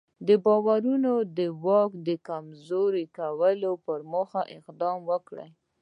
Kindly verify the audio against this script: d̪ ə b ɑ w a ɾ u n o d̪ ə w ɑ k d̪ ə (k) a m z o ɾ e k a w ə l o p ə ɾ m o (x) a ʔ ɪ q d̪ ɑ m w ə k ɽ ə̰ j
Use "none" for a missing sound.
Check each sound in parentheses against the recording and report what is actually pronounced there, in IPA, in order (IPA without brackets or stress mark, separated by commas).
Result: k, x